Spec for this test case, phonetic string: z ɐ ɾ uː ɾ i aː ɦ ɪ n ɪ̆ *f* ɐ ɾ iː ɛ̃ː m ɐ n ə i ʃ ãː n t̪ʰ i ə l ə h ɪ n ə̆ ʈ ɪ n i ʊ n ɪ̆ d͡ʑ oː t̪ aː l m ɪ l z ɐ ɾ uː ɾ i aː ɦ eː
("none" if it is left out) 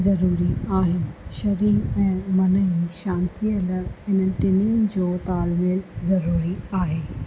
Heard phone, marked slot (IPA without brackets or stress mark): ʃ